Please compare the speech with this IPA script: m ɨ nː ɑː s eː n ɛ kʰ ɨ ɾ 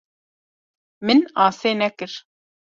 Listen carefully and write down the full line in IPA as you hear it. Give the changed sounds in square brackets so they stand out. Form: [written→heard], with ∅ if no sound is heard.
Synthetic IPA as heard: m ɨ [nː→n] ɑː s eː n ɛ [kʰ→k] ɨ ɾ

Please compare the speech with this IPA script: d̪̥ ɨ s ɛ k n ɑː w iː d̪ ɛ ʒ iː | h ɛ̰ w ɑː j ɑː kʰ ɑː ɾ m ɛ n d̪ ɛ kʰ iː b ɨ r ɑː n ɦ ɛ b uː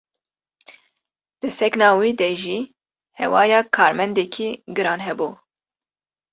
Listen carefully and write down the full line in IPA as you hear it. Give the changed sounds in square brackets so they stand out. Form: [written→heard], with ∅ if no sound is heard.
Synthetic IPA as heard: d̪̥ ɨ s ɛ k n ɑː w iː d̪ ɛ ʒ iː | h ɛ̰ w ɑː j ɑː kʰ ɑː ɾ m ɛ n d̪ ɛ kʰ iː [b→ɡ] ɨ [r→ɾ] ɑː n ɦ ɛ b uː

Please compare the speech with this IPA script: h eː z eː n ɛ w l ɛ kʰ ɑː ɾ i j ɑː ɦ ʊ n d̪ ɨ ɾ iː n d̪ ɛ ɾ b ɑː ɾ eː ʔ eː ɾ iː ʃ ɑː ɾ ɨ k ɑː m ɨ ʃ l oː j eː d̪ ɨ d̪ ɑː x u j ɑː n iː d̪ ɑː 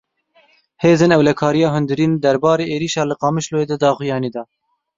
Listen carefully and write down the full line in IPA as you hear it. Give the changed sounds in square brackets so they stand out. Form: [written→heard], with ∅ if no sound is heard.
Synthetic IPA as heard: h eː z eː n ɛ w l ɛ kʰ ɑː ɾ i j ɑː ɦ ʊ n d̪ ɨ ɾ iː n d̪ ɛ ɾ b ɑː ɾ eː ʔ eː ɾ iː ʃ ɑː [ɾ→l] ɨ [k→q] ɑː m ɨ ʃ l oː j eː d̪ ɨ d̪ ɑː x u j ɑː n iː d̪ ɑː

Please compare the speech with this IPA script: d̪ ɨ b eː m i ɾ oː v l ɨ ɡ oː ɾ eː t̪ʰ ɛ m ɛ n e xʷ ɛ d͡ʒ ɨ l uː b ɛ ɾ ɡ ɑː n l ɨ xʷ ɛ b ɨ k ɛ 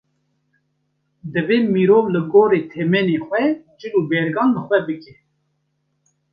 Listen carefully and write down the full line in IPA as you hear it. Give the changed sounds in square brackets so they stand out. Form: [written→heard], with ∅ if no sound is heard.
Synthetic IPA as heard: d̪ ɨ [b→v] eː m i ɾ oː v l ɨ ɡ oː ɾ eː t̪ʰ ɛ m ɛ n e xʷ ɛ d͡ʒ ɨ l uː b ɛ ɾ ɡ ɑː n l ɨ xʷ ɛ b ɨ k ɛ

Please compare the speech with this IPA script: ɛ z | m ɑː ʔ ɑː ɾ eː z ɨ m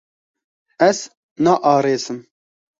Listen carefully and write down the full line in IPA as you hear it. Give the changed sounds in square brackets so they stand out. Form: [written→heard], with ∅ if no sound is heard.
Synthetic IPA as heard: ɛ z | [m→n] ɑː ʔ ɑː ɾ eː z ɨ m

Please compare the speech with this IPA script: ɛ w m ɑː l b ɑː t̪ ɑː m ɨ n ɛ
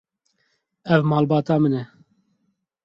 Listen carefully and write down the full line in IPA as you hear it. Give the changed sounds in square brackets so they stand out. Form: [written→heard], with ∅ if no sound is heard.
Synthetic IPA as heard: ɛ [w→v] m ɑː l b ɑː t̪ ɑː m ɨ n ɛ

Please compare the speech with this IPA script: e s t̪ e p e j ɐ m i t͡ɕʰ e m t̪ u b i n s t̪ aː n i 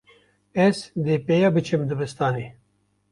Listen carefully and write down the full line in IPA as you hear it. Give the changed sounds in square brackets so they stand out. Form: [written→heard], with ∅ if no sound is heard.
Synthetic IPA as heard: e s [t̪→d̪] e p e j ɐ [m→b] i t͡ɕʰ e m [t̪→d̪] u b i [n→∅] s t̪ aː n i

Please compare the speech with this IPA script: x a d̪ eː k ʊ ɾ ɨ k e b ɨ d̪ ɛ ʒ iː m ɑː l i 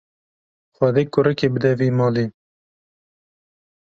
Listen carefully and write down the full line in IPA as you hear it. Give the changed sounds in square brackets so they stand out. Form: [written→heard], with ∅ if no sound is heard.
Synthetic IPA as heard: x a d̪ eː k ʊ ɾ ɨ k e b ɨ d̪ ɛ [ʒ→v] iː m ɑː l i

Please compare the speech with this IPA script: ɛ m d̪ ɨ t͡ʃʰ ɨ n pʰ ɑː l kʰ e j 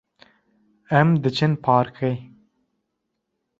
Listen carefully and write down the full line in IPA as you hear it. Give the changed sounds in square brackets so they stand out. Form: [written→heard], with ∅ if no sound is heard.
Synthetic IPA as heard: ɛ m d̪ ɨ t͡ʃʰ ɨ n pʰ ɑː [l→ɾ] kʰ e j

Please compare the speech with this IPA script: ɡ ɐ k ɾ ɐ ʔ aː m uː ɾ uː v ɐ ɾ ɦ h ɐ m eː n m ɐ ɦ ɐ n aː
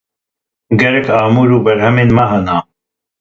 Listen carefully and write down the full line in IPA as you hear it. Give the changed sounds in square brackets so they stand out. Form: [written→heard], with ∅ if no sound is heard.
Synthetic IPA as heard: ɡ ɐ [k→∅] ɾ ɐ [ʔ→k] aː m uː ɾ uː [v→b] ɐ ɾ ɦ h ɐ m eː n m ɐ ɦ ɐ n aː

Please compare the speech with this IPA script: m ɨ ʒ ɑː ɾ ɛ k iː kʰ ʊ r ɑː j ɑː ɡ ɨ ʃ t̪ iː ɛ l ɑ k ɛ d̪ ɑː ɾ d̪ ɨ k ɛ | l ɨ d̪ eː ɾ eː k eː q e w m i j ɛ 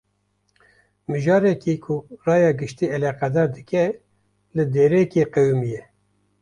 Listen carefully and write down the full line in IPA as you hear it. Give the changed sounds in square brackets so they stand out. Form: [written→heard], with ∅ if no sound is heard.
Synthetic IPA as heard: m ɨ ʒ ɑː ɾ ɛ k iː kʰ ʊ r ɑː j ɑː ɡ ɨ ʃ t̪ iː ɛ l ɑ [k→q] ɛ d̪ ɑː ɾ d̪ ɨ k ɛ | l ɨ d̪ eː ɾ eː k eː q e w m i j ɛ

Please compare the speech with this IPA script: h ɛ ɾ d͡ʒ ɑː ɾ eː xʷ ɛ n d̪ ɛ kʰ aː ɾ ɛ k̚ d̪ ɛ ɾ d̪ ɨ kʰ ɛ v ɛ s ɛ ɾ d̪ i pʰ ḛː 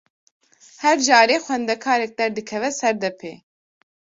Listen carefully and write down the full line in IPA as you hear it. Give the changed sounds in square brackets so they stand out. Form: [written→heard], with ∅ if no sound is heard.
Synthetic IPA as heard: h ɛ ɾ d͡ʒ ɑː ɾ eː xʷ ɛ n d̪ ɛ kʰ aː ɾ ɛ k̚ d̪ ɛ ɾ d̪ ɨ kʰ ɛ v ɛ s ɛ ɾ d̪ [i→ɛ] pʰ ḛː

